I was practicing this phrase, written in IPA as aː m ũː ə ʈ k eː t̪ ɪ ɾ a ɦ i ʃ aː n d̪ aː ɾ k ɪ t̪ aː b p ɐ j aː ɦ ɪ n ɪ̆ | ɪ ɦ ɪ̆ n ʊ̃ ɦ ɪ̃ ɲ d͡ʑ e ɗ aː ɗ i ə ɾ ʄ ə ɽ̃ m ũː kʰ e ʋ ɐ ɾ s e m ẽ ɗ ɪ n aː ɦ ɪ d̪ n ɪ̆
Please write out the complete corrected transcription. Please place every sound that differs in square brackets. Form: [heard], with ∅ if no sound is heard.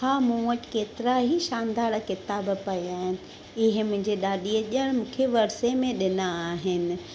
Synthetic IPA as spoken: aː m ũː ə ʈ k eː t̪ ɪ ɾ a ɦ i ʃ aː n d̪ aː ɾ k ɪ t̪ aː b p ɐ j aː ɦ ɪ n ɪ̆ | ɪ ɦ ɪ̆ [m] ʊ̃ ɦ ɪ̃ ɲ d͡ʑ e ɗ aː ɗ i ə [∅] ʄ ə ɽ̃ m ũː kʰ e ʋ ɐ ɾ s e m ẽ ɗ ɪ n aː ɦ ɪ [∅] n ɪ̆